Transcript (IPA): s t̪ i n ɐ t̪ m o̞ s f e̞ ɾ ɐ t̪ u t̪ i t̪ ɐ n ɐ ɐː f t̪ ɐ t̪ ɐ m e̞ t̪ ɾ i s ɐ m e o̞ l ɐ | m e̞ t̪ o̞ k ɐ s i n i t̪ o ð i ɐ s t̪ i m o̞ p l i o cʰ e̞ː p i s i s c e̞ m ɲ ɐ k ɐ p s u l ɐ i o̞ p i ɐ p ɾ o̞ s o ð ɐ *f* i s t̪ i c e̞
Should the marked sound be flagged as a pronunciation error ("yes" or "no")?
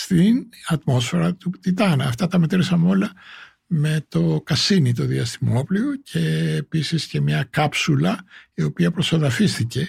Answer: no